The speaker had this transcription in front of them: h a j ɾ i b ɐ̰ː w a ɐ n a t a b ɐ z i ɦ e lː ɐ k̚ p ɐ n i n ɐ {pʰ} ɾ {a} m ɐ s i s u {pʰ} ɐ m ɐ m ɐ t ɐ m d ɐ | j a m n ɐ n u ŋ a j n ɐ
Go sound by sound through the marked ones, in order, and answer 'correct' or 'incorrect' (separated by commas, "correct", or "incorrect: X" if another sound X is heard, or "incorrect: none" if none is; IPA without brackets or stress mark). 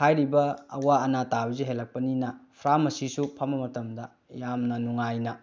correct, correct, correct